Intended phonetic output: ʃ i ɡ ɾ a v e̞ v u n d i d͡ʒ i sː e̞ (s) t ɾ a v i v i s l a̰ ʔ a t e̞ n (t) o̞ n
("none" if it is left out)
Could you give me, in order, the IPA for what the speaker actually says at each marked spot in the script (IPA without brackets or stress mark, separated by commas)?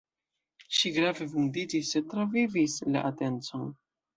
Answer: none, t͡s